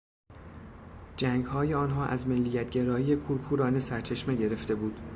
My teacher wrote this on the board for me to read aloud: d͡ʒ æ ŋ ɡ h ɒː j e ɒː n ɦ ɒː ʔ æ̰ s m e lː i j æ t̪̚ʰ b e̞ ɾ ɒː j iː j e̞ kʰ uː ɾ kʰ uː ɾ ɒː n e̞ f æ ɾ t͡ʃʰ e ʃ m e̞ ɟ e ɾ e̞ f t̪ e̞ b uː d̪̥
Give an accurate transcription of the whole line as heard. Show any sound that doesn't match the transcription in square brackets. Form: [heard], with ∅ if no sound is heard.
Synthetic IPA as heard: d͡ʒ æ ŋ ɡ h ɒː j e ɒː n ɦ ɒː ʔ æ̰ [z] m e lː i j æ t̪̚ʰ [ɟ] e̞ ɾ ɒː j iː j e̞ kʰ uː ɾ kʰ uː ɾ ɒː n e̞ [s] æ ɾ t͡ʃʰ e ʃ m e̞ ɟ e ɾ e̞ f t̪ e̞ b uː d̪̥